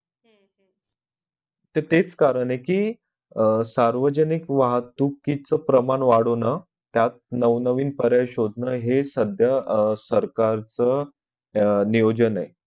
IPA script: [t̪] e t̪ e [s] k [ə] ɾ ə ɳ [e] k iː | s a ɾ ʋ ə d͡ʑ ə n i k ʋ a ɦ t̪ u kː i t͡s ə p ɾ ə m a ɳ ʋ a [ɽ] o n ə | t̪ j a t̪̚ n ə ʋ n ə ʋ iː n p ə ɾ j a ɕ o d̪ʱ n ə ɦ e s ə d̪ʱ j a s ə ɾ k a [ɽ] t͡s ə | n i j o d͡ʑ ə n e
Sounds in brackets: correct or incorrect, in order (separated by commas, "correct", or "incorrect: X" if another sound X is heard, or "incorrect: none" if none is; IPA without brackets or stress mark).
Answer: correct, incorrect: t͡s, incorrect: a, correct, correct, incorrect: ɾ